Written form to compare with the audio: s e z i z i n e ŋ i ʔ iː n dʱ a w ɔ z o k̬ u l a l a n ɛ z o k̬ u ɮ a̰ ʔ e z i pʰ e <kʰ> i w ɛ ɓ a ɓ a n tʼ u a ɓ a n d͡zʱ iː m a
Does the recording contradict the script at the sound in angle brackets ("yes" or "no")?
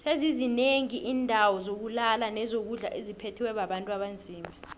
yes